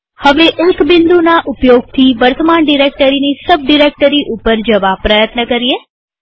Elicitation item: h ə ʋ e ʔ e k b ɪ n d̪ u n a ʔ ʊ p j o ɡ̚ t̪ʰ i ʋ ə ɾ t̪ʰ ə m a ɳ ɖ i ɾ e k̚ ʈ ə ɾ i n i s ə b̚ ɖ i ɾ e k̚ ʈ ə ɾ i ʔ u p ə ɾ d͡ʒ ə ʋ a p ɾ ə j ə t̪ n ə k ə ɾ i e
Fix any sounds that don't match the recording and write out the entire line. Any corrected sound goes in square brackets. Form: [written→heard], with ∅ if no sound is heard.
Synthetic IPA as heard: h ə ʋ e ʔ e k b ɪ n d̪ u n a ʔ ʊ p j o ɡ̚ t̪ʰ i ʋ ə ɾ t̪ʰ ə m a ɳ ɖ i ɾ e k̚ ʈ ə ɾ i n i s ə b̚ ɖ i ɾ e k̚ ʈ ə ɾ i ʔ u p ə ɾ d͡ʒ ə ʋ a p ɾ ə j ə t̪ n ə k ə ɾ i e

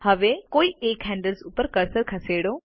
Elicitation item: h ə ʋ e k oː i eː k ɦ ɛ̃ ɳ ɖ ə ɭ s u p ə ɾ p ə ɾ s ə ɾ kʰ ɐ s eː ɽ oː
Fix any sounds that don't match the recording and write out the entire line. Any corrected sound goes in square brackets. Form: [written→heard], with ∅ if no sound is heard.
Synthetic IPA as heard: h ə ʋ e k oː i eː k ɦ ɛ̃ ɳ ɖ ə [ɭ→l] s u p ə ɾ [p→k] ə ɾ s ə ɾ kʰ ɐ s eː ɽ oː

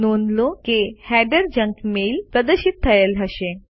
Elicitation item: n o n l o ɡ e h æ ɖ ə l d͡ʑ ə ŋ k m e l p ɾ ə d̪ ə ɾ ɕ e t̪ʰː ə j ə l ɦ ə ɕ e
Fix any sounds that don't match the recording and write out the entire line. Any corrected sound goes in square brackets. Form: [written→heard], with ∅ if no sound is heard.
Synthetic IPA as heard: n o n l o [ɡ→k] e h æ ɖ ə [l→ɾ] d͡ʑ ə ŋ k m e l p ɾ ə d̪ ə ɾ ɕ [e→i] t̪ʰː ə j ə l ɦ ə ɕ e

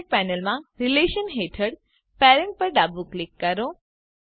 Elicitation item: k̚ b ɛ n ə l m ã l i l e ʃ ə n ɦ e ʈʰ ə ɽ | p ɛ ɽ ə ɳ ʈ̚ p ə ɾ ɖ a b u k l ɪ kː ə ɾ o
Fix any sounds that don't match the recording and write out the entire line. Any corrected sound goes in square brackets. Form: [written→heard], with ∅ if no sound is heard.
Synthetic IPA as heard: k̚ [b→p] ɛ n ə l m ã [l→ɾ] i l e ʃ ə n ɦ e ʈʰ ə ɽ | p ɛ [ɽ→ɾ] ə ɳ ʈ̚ p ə ɾ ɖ a b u k l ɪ kː ə ɾ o

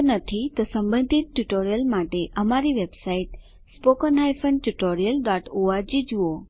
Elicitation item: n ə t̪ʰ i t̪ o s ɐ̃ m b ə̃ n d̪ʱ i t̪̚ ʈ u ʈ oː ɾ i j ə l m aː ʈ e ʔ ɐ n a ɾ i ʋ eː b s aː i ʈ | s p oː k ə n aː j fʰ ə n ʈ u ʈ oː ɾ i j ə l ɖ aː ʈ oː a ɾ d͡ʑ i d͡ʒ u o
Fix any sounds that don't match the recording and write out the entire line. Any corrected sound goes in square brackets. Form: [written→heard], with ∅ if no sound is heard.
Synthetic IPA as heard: n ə t̪ʰ i t̪ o s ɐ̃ m b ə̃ n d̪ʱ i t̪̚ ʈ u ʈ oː ɾ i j ə l m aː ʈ e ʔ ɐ [n→m] a ɾ i ʋ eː b s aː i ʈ | s p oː k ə n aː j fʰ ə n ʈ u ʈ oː ɾ i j ə l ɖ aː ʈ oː a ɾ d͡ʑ i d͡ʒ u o

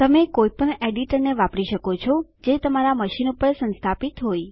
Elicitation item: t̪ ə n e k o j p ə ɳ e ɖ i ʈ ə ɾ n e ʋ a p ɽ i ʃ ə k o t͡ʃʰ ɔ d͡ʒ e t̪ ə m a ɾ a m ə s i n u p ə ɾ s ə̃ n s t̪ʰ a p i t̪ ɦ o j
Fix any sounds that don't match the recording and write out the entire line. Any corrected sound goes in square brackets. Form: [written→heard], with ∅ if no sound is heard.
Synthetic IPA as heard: t̪ ə [n→m] e k o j p ə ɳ e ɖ i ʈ ə ɾ n e ʋ a p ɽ i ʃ ə k o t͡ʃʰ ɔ d͡ʒ e t̪ ə m a ɾ a m ə [s→ʃ] i n u p ə ɾ s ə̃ n s t̪ʰ a p i t̪ ɦ o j

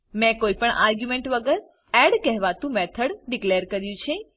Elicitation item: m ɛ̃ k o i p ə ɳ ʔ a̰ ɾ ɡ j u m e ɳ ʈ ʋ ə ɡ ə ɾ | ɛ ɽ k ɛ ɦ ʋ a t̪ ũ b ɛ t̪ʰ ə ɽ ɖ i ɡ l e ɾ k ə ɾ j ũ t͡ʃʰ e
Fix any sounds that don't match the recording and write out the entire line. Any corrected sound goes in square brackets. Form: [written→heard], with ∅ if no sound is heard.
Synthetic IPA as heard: m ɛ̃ k o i p ə ɳ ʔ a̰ ɾ ɡ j u m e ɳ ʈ ʋ ə ɡ ə ɾ | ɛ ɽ k ɛ ɦ ʋ a t̪ ũ [b→m] ɛ t̪ʰ ə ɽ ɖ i [ɡ→k] l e ɾ k ə ɾ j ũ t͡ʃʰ e

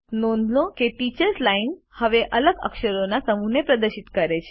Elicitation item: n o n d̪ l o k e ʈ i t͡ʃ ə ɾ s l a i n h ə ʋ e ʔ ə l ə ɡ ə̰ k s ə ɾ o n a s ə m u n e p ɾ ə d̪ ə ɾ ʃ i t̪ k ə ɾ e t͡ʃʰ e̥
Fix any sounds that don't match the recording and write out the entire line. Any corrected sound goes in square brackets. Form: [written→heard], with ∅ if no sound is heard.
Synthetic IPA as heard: n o n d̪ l o k e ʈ i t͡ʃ ə ɾ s l a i n h ə ʋ e ʔ ə l ə ɡ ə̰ k [s→ʃ] ə ɾ o n a s ə m u n e p ɾ ə d̪ ə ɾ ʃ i t̪ k ə ɾ e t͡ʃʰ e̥

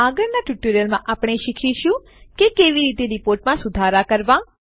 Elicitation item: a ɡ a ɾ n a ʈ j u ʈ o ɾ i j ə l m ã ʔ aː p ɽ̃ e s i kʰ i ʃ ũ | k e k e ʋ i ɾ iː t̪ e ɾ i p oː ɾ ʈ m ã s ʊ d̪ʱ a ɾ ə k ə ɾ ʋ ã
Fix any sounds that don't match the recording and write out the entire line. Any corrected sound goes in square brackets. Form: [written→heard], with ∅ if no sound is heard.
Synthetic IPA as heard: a ɡ [a→ə] ɾ n a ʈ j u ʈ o ɾ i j ə l m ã ʔ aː p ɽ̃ e [s→ʃ] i kʰ i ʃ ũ | k e k e ʋ i ɾ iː t̪ e ɾ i p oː ɾ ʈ m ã s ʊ d̪ʱ a ɾ [ə→a] k ə ɾ ʋ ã

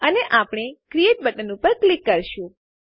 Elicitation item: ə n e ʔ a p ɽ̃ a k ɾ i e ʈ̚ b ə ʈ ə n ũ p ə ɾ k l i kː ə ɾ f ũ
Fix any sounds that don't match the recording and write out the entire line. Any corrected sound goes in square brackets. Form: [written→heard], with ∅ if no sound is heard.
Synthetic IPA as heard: ə n e ʔ a p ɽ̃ [a→e] k ɾ i e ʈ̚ b ə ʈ ə n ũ p ə ɾ k l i kː ə ɾ [f→ʃ] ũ

